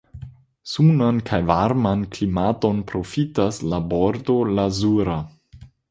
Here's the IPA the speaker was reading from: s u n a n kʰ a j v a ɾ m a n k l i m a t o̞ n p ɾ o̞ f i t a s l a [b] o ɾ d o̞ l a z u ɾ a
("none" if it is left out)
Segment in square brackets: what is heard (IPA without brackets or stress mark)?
b